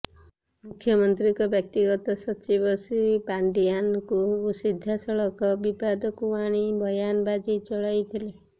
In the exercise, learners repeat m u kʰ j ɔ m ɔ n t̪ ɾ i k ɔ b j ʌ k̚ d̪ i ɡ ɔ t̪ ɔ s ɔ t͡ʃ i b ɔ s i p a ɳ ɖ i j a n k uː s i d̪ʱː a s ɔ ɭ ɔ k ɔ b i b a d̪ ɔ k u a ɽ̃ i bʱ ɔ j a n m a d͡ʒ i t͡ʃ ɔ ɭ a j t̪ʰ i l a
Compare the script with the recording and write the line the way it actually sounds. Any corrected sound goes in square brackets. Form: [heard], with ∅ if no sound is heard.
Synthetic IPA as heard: m u kʰ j ɔ m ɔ n t̪ ɾ i k ɔ b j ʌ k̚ [t̪] i ɡ ɔ t̪ ɔ s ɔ t͡ʃ i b ɔ s i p a ɳ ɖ i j a n k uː s i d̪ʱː a s ɔ ɭ ɔ k ɔ b i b a d̪ ɔ k u a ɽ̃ i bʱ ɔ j a n [b] a d͡ʒ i t͡ʃ ɔ ɭ a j t̪ʰ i l [e]